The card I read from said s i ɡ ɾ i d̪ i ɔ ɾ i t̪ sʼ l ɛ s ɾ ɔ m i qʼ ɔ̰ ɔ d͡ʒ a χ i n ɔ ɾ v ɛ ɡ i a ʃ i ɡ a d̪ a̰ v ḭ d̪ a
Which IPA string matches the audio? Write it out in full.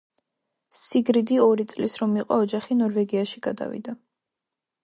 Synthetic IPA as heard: s i ɡ ɾ i d̪ i ɔ ɾ i t̪ sʼ l i s ɾ ɔ m i qʼ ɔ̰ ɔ d͡ʒ a χ i n ɔ ɾ v ɛ ɡ i a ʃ i ɡ a d̪ a̰ v ḭ d̪ a